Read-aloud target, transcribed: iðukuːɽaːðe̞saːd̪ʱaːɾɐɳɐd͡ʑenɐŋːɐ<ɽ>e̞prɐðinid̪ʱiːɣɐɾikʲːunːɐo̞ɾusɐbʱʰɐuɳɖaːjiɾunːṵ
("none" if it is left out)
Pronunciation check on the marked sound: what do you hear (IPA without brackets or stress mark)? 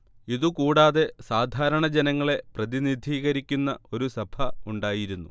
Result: ɭ